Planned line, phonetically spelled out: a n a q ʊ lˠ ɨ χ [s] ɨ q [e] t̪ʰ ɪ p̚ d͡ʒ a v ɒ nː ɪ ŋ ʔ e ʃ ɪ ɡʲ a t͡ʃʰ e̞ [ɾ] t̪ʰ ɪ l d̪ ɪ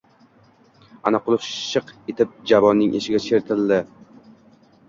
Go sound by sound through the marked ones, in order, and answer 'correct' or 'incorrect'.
incorrect: ʃ, correct, correct

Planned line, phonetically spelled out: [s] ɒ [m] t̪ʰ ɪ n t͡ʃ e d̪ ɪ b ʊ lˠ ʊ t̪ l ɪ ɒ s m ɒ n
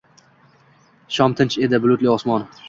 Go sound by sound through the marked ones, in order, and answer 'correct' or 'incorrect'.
incorrect: ʃ, correct

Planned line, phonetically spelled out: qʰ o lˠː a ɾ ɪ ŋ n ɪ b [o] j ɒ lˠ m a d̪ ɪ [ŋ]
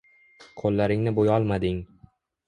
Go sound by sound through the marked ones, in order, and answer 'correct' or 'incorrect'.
correct, correct

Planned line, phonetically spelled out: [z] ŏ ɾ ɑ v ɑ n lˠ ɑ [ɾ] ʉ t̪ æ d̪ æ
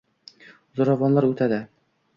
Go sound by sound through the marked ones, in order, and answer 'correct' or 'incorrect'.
correct, correct

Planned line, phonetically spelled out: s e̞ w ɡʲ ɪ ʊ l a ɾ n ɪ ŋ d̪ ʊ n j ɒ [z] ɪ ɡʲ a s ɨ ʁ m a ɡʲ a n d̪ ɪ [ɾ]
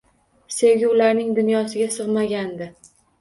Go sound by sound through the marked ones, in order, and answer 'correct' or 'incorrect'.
incorrect: s, incorrect: none

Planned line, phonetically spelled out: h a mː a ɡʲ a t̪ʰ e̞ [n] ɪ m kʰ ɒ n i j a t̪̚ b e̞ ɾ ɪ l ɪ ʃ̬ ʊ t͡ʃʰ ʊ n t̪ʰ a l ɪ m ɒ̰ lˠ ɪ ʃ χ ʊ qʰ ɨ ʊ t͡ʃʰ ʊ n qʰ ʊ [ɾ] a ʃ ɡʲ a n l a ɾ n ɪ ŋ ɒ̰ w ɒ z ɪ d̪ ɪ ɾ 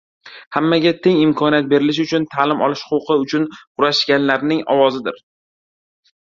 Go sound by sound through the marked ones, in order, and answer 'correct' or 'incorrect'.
incorrect: ŋ, correct

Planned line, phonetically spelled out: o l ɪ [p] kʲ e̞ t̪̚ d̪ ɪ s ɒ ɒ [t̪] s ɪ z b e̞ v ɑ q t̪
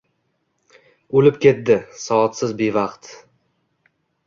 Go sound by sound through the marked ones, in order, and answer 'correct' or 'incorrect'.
correct, correct

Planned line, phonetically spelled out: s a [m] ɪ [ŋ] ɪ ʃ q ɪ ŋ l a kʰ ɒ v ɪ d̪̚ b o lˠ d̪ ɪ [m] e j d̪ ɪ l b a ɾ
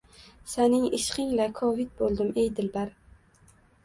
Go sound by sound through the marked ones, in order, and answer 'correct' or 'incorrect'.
incorrect: n, correct, correct

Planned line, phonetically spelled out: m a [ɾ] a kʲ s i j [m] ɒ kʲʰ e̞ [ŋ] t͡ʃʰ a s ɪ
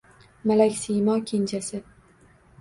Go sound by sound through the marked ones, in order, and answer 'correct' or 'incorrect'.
incorrect: l, correct, incorrect: n

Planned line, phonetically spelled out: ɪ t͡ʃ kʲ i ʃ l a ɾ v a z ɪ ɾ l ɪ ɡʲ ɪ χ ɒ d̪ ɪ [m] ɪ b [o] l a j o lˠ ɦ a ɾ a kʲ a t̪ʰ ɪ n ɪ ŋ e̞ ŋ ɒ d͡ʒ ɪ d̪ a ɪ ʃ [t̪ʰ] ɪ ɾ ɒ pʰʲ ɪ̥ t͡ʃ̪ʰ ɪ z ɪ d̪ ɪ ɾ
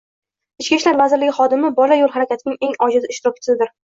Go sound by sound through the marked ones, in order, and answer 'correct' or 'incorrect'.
correct, incorrect: ɒ, incorrect: t̪

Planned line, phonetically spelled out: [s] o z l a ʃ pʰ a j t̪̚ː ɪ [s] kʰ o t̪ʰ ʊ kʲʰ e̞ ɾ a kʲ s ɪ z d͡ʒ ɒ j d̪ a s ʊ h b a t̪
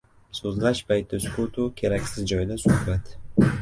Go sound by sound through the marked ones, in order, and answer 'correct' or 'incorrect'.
correct, correct

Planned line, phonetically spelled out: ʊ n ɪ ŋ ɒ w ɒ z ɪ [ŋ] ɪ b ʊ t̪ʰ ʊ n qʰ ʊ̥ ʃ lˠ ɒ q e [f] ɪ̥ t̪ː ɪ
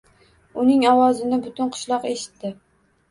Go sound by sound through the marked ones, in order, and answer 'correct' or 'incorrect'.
incorrect: n, incorrect: ʃ

